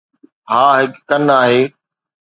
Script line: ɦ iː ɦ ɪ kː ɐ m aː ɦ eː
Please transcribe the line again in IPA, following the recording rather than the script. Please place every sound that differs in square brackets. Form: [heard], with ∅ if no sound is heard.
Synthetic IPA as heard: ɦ [aː] ɦ ɪ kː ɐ [n] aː ɦ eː